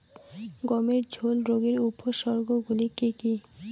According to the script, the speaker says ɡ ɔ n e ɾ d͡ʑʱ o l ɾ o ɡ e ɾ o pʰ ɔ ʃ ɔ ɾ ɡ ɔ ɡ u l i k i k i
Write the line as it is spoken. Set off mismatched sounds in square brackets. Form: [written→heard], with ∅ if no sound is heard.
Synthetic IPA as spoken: ɡ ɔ [n→m] e ɾ d͡ʑʱ o l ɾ o ɡ e ɾ [o→u] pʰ [ɔ→o] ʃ ɔ ɾ ɡ [ɔ→o] ɡ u l i k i k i